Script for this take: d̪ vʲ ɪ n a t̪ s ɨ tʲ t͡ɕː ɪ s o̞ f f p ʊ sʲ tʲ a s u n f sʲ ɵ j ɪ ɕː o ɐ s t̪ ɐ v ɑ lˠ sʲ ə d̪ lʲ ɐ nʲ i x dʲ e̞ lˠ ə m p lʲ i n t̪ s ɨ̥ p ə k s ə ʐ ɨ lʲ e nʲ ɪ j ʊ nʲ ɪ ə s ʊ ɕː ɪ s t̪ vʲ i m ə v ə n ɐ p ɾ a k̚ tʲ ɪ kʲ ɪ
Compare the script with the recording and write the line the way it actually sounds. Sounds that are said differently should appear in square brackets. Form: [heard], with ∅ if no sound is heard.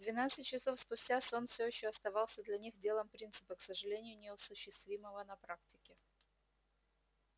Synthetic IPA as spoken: d̪ vʲ ɪ n a t̪ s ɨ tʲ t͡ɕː ɪ s o̞ f [s] p ʊ sʲ tʲ a s [o] n f sʲ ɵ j ɪ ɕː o ɐ s t̪ ɐ v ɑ lˠ sʲ ə d̪ lʲ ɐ nʲ i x dʲ e̞ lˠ ə m p [ɾʲ] i n t̪ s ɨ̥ p ə k s ə ʐ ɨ lʲ e nʲ ɪ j ʊ nʲ ɪ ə s ʊ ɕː ɪ s t̪ vʲ i m ə v ə n ɐ p ɾ a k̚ tʲ ɪ kʲ ɪ

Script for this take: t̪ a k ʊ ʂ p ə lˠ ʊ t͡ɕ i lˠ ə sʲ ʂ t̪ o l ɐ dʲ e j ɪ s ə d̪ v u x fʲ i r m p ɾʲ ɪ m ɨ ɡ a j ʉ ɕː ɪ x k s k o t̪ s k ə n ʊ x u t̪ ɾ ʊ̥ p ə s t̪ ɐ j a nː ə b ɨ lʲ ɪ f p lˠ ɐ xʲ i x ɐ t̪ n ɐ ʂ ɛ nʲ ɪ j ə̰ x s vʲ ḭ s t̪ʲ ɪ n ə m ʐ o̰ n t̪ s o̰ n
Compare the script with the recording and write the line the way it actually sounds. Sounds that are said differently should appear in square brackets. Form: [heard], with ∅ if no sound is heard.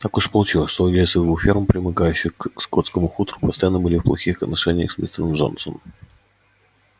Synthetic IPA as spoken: t̪ a k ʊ ʂ p ə lˠ ʊ t͡ɕ i lˠ ə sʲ ʂ t̪ o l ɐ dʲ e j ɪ s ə d̪ v u x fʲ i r m p ɾʲ ɪ m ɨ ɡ a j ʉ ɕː ɪ x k s k o t̪ s k ə [m] ʊ x u t̪ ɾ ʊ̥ p ə s t̪ ɐ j a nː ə b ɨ lʲ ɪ f p lˠ ɐ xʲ i x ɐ t̪ n ɐ ʂ ɛ nʲ ɪ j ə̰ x s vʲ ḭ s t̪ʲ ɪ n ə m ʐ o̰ n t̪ s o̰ n

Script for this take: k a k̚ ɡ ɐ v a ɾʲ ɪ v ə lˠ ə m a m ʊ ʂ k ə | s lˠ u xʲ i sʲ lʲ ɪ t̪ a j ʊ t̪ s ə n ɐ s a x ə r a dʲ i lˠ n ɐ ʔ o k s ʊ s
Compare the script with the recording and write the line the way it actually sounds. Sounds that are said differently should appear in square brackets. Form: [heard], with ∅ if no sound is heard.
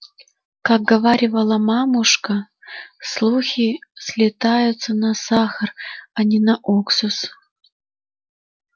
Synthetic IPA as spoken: k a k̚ ɡ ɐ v a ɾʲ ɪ v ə lˠ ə m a m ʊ ʂ k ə | s lˠ u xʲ i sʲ lʲ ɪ t̪ a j ʊ t̪ s ə n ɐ s a x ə r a [nʲ] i [∅] n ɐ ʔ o k s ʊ s

